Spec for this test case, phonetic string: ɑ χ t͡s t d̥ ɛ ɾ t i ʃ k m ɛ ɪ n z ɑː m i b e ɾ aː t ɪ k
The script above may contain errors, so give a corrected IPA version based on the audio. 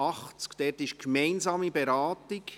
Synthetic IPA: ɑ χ t͡s k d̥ ɛ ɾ t ɪ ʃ k m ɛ ɪ n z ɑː m i b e ɾ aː t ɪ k